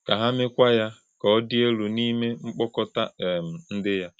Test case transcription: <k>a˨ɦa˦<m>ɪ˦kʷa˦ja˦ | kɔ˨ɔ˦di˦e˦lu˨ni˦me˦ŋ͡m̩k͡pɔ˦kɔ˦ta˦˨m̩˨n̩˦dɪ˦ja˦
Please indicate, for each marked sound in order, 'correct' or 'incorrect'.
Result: correct, correct

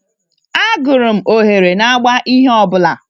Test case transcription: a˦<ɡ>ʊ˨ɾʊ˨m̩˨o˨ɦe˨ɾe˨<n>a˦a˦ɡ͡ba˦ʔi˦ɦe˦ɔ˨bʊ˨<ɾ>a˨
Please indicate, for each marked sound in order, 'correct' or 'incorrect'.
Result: correct, correct, incorrect: l

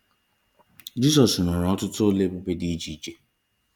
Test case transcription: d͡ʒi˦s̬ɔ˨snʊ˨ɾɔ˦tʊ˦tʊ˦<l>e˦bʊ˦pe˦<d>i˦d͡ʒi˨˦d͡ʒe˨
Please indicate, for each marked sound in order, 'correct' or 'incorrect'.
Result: correct, correct

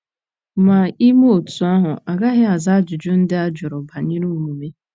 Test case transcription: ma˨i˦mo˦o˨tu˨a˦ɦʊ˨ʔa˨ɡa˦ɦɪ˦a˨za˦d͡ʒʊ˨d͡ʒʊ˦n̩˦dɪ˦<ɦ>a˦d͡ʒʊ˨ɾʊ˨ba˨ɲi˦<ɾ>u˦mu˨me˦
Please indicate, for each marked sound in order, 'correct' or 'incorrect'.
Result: incorrect: none, correct

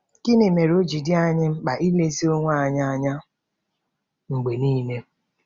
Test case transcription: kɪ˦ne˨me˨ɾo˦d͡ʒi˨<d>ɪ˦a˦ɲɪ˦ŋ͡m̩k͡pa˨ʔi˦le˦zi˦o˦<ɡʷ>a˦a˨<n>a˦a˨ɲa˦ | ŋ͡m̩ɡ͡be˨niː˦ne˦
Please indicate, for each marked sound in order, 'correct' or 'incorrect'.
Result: correct, incorrect: ŋʷ, incorrect: ɲ

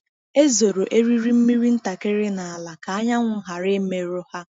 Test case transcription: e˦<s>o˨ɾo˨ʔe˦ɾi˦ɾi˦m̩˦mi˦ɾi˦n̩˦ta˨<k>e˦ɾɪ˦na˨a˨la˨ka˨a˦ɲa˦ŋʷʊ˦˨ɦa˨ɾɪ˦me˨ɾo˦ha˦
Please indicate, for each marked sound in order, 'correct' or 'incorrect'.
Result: incorrect: z, correct

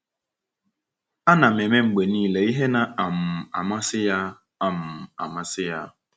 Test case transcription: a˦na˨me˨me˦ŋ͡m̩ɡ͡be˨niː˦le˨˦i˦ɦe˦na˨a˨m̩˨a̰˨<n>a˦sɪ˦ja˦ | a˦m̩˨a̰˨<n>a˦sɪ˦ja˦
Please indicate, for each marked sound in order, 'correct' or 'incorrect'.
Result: incorrect: m, incorrect: m

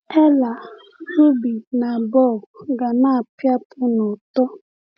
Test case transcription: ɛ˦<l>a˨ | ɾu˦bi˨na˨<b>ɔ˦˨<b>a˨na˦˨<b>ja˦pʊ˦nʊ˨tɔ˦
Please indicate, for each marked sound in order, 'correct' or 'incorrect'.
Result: correct, correct, incorrect: ɡ, incorrect: p

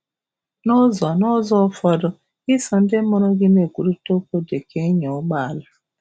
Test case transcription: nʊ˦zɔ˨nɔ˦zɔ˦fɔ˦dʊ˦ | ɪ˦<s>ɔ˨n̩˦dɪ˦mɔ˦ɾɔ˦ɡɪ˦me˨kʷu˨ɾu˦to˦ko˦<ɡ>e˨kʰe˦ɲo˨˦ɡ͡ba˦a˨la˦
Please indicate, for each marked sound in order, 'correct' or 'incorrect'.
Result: correct, incorrect: d

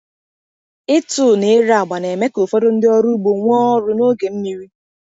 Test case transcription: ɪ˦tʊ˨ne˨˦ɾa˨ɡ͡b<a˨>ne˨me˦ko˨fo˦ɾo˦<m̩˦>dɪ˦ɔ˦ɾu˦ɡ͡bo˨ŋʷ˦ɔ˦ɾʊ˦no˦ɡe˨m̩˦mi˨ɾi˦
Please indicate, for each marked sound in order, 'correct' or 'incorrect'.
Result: correct, incorrect: n̩˦

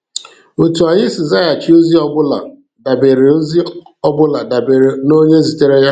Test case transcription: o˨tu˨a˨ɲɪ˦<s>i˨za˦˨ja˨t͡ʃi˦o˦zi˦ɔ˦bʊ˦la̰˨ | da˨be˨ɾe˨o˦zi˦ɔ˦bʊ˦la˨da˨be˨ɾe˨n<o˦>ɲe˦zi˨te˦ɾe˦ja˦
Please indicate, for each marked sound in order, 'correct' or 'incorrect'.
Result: correct, correct

